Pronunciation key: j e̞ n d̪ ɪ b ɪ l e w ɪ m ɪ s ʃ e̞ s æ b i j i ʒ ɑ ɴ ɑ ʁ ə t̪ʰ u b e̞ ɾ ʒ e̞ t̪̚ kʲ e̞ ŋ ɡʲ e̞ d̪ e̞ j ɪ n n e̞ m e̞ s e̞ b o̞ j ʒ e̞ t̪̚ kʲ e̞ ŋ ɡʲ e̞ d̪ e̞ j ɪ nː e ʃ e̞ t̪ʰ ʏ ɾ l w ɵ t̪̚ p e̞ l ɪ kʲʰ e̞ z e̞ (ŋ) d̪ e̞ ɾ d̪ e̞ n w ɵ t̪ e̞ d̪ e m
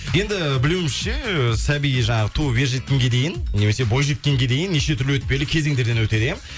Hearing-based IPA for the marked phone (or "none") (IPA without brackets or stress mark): ŋ